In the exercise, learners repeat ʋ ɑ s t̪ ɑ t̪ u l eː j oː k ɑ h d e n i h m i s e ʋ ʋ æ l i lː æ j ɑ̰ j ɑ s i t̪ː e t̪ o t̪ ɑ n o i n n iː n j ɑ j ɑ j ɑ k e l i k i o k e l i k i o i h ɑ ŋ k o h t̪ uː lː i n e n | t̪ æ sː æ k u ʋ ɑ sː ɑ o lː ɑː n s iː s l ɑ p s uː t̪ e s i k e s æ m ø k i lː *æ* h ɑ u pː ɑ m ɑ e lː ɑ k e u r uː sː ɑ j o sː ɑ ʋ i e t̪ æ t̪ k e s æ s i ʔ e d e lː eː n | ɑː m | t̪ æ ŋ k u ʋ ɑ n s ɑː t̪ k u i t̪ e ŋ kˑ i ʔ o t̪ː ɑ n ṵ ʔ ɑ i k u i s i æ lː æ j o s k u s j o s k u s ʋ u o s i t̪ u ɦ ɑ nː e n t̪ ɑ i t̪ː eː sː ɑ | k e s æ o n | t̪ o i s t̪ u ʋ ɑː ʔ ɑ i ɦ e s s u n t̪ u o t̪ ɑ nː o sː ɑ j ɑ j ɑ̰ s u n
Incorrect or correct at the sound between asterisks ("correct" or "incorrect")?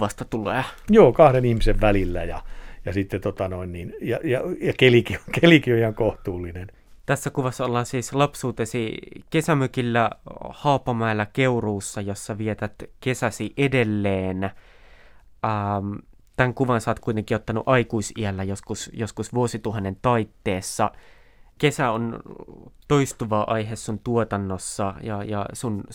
correct